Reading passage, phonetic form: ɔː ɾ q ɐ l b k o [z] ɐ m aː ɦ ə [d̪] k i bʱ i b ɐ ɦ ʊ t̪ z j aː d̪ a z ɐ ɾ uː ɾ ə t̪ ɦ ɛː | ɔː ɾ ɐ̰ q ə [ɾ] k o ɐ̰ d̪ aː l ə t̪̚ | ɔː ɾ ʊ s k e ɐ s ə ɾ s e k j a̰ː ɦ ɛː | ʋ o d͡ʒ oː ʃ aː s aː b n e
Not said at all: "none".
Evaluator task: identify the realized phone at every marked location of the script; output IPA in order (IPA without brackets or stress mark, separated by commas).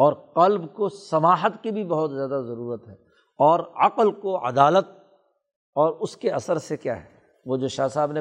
s, t̪, l